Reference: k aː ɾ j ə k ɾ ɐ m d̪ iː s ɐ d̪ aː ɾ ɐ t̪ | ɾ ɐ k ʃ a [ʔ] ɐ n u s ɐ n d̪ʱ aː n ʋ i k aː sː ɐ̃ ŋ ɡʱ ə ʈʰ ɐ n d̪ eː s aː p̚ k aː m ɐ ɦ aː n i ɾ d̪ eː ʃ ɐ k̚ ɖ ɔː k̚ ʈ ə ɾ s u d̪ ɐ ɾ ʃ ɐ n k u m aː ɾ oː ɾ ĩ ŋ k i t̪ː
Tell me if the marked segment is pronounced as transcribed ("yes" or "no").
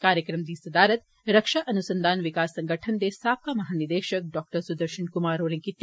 yes